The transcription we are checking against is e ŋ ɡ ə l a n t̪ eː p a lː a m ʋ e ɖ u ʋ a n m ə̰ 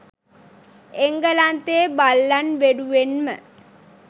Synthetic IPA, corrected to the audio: e ŋ ɡ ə l a n t̪ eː b a lː a n ʋ e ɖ u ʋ e n m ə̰